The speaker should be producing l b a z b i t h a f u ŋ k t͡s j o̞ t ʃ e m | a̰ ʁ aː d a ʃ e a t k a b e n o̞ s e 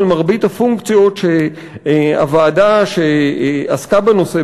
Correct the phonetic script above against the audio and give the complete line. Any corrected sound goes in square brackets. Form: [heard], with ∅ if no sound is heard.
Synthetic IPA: l [m] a [ʁ] b i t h a f u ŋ k t͡s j o̞ t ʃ e [∅] | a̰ [v] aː d a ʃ e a [s] k a b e n o̞ s e